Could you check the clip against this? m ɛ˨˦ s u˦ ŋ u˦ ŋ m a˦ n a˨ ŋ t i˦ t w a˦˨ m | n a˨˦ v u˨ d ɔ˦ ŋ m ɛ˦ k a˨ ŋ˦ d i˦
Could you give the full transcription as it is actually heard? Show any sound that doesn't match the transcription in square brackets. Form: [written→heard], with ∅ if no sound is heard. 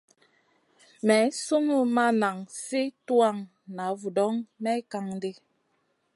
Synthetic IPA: m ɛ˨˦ s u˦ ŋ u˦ [ŋ→∅] m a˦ n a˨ ŋ [t→s] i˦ t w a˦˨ [m→ŋ] | n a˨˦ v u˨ d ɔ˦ ŋ m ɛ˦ k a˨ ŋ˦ d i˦